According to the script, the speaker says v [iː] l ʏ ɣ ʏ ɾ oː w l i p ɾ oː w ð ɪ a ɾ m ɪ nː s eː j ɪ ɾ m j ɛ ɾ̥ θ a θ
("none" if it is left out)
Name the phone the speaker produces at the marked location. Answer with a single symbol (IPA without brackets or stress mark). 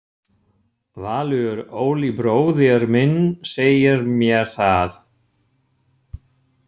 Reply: aː